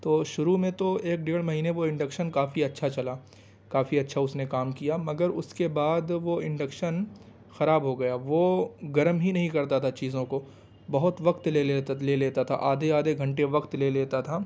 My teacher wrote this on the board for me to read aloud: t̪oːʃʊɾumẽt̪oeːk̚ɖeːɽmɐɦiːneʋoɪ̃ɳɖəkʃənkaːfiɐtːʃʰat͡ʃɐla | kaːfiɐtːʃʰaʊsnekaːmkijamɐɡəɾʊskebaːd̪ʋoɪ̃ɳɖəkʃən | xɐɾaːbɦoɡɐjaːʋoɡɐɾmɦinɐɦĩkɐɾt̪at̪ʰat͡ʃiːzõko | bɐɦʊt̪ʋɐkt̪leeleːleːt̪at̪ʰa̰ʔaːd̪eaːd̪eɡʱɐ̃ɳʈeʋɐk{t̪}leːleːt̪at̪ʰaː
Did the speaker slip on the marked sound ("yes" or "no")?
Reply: no